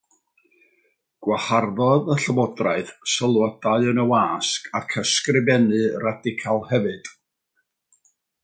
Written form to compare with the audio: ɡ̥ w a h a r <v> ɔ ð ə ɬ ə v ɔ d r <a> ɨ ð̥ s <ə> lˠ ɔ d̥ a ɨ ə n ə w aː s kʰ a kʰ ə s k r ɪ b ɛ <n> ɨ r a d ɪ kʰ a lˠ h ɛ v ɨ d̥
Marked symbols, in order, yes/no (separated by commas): no, yes, yes, yes